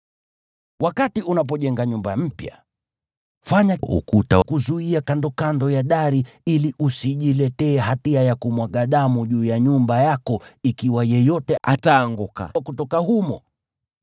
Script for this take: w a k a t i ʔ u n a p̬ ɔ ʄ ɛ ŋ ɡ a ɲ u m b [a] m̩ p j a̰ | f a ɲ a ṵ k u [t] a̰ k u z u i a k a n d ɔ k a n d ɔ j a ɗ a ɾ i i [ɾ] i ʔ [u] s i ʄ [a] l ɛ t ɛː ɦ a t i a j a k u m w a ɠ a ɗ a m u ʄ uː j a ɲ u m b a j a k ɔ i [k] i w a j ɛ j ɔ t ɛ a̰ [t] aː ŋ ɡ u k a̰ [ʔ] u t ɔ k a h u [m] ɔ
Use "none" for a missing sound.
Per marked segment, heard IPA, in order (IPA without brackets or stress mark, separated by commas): a, t, l, u, i, k, t, k, m